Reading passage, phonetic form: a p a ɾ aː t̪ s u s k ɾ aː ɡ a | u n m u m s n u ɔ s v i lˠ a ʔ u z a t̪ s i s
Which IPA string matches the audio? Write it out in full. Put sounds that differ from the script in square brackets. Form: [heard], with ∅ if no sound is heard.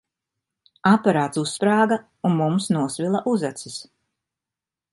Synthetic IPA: a p a ɾ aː t̪ s u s [p] ɾ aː ɡ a | u n m u m s n u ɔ s v i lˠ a ʔ u z a t̪ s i s